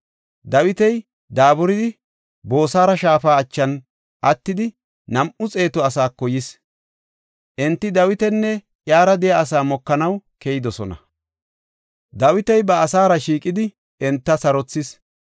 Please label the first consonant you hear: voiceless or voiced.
voiced